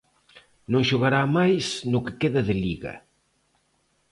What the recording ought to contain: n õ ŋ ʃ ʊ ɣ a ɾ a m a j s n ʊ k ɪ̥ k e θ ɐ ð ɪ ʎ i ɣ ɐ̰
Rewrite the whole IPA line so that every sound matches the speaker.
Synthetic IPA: n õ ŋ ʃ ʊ ɣ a ɾ a m a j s n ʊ k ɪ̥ k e ð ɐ ð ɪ ʎ i ɣ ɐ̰

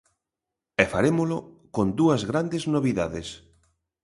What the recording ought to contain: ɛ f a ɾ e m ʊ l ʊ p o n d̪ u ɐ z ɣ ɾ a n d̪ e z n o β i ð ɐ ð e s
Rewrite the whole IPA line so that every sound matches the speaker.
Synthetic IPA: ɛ f a ɾ e m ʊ l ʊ k o n d̪ u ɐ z ɣ ɾ a n d̪ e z n o β i ð a ð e s

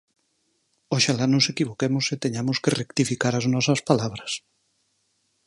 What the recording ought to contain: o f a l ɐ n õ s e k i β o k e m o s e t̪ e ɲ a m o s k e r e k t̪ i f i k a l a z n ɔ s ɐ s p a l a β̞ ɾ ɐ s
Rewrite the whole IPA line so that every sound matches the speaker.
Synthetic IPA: o ʃ a l a n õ s e k i β o k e m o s e t̪ e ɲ a m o s k e r e k t̪ i f i k a ɾ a z n ɔ s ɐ s p a l a β̞ ɾ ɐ s

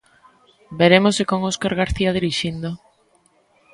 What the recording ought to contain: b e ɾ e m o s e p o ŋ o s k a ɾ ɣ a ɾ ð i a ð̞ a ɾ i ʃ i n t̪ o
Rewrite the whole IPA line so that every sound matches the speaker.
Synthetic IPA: b e ɾ e m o s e k o ŋ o s k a ɾ ɣ a ɾ θ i a ð̞ i ɾ i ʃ i n d̪ o

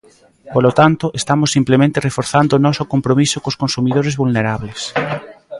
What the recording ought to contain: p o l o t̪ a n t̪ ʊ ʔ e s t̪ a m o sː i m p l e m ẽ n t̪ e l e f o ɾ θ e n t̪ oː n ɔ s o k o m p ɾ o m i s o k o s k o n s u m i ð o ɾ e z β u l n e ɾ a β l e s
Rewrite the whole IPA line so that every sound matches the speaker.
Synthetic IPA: p o l o t̪ a n t̪ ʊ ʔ e s t̪ a m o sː i m p l e m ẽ n t̪ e r e f o ɾ θ a n d̪ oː n ɔ s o k o m p ɾ o m i s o k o s k o n s u m i ð o ɾ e z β u l n e ɾ a β l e s

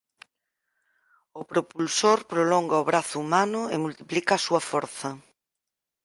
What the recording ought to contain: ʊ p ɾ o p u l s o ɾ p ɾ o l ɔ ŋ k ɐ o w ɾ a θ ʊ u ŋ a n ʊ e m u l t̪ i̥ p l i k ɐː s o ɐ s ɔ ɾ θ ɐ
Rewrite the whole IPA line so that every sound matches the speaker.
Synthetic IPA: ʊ p ɾ o p u l s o ɾ p ɾ o l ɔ ŋ ɡ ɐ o β ɾ a θ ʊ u m a n ʊ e m u l t̪ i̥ p l i k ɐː s u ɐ f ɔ ɾ θ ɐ

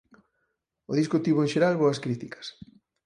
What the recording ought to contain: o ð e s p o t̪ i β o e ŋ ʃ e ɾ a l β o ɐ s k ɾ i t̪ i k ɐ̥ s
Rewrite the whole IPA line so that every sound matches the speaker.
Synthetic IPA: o ð i s k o t̪ i β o e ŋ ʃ e ɾ a l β o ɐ s k ɾ i t̪ i k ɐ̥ s

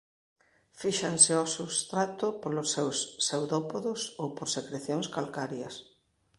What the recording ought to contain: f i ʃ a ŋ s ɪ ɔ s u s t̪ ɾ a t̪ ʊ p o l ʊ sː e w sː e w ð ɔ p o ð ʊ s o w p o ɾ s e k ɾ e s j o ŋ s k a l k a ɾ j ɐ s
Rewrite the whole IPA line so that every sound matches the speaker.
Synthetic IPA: f i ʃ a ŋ s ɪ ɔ s u s t̪ ɾ a t̪ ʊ p o l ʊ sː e w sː e w ð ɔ p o ð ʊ s o w p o ɾ s e k ɾ e θ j o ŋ s k a l k a ɾ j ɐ s

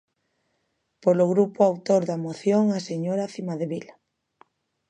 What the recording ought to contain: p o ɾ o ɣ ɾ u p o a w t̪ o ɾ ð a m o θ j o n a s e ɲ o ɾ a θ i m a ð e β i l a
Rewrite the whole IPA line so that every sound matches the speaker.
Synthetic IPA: p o l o ɣ ɾ u p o a w t̪ o ɾ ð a m o θ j o ŋ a s e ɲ o ɾ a θ i m a ð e β i l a

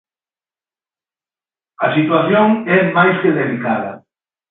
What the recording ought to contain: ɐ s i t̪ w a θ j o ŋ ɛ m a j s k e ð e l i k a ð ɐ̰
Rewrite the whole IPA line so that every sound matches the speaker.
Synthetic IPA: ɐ s i t̪ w a θ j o ŋ ɛ m a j s k e ð e l i k a ð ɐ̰

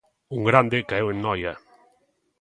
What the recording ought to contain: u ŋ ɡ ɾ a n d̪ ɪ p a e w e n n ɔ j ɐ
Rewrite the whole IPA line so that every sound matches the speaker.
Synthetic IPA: u ŋ ɡ ɾ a n d̪ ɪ k a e w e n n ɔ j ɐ

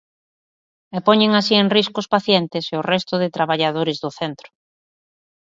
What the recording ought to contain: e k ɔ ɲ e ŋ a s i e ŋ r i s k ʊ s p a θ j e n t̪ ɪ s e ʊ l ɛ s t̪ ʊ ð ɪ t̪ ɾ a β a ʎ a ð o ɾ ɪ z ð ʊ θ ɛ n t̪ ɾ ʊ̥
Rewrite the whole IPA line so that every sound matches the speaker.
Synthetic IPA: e p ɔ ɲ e ŋ a s i e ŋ r i s k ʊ s p a θ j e n t̪ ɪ s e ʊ r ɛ s t̪ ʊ ð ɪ t̪ ɾ a β a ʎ a ð o ɾ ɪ z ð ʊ θ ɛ n t̪ ɾ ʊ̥

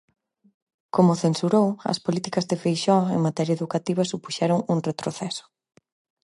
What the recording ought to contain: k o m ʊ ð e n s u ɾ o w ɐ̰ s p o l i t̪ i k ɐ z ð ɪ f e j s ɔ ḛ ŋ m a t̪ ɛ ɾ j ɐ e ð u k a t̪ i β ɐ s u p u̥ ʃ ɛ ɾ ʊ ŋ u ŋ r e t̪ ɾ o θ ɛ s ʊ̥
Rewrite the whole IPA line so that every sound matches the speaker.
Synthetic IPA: k o m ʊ θ e n s u ɾ o w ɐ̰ s p o l i t̪ i k ɐ z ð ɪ f e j ʃ ɔ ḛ ŋ m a t̪ ɛ ɾ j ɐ e ð u k a t̪ i β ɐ s u p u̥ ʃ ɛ ɾ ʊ ŋ u ŋ r e t̪ ɾ o θ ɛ s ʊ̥

